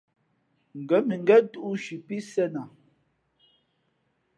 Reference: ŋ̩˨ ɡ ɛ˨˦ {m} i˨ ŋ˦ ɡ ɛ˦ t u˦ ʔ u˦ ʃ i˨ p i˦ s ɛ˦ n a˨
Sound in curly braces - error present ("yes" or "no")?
no